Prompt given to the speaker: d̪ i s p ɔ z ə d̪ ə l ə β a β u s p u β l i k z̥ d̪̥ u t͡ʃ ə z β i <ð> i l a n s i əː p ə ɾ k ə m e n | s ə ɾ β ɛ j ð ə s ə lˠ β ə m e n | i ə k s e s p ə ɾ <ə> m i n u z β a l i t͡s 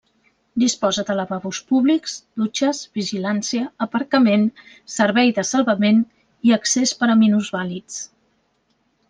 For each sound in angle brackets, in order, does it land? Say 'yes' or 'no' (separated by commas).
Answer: no, yes